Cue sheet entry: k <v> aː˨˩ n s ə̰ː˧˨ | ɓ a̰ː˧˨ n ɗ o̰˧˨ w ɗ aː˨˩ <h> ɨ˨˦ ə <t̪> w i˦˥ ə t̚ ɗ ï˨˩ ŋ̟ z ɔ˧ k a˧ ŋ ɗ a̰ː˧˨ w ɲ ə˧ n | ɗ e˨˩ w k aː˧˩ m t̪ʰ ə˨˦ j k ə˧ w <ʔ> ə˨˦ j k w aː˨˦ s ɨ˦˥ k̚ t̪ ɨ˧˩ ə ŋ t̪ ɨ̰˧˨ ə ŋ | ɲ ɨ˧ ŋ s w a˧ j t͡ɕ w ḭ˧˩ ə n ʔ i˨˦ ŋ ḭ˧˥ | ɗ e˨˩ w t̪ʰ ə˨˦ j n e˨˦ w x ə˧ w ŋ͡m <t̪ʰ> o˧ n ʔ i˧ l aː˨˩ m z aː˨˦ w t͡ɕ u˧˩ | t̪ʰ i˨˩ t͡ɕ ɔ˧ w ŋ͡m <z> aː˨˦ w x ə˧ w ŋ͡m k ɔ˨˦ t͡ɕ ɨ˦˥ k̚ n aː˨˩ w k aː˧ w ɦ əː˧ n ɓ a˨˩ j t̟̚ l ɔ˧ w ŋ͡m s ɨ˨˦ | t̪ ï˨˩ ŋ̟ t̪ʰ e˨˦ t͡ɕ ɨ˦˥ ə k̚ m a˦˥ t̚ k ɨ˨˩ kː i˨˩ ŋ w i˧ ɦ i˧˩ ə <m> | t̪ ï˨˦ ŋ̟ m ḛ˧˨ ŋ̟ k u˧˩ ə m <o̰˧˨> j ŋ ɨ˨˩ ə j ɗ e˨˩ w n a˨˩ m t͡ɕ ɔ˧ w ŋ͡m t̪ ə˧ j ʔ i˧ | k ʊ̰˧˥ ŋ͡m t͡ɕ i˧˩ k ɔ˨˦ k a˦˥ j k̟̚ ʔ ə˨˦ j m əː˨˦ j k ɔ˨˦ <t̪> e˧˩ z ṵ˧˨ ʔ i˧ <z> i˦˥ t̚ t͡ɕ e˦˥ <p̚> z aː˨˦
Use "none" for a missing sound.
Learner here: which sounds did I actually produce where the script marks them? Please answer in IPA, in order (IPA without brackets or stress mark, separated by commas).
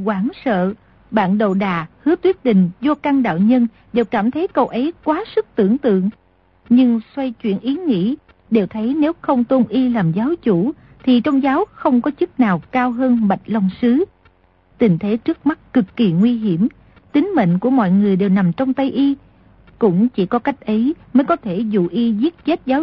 w, h, t̪, ʔ, t̪, z, m, ɔ̰˧˨, t̪ʰ, z, t̚